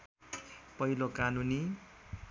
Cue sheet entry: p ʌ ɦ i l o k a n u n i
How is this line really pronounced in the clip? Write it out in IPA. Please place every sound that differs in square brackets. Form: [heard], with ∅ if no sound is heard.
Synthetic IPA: p ʌ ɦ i l o k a n u n i